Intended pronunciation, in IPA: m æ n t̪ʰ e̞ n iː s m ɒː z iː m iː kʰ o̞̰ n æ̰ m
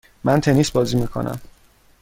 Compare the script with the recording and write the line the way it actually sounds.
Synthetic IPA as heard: m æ n t̪ʰ e̞ n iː s b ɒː z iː m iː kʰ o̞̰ n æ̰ m